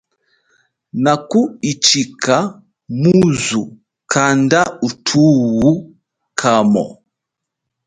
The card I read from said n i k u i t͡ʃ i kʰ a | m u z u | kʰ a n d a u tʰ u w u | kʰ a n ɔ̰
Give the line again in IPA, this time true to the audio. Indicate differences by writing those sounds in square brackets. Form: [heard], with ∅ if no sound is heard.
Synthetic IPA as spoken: n [a] k u i t͡ʃ i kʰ a | m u z u | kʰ a n d a u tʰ u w u | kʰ a [m] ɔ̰